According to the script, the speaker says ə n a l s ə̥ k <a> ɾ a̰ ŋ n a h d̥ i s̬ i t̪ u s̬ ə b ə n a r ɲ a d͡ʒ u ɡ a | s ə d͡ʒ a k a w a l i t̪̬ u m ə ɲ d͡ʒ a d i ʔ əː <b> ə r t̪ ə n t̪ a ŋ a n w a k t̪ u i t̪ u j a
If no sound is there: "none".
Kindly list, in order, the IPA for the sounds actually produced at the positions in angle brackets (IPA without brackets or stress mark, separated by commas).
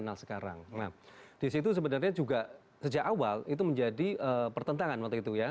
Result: a, p